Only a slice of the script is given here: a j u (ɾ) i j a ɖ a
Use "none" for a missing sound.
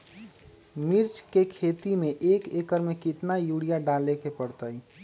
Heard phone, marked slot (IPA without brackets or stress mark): ɽ